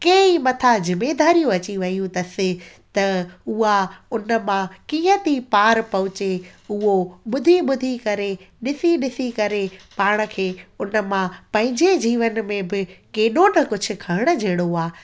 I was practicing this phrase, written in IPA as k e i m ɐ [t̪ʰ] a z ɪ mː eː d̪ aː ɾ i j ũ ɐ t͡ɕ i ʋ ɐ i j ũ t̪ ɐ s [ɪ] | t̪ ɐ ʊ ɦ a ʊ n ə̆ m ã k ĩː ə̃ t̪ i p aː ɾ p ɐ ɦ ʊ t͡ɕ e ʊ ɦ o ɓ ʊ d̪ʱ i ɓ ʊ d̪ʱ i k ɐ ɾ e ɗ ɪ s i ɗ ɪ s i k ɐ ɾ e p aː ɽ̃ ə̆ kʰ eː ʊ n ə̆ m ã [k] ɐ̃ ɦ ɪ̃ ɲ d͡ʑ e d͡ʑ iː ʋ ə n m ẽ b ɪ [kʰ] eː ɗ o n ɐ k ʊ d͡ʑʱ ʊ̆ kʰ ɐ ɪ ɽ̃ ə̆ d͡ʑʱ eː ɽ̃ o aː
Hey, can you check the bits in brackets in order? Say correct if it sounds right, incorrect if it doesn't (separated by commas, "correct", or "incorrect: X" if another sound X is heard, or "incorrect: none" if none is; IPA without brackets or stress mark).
correct, correct, incorrect: p, incorrect: k